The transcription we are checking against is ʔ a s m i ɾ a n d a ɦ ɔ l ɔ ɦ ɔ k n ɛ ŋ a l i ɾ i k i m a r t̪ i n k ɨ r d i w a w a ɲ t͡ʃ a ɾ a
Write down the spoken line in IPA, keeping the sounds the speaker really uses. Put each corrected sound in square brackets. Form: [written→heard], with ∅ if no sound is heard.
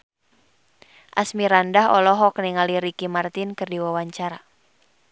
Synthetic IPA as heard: ʔ a s m i ɾ a n d a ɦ ɔ l ɔ ɦ ɔ k n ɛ ŋ a l i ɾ i k i m a r t̪ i n k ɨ r d i w a w a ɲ t͡ʃ a ɾ a